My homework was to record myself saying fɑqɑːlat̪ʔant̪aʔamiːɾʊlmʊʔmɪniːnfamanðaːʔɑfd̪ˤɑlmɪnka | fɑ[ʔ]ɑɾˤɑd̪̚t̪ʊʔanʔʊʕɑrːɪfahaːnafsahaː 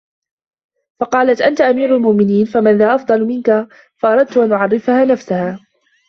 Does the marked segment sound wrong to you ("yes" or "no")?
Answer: no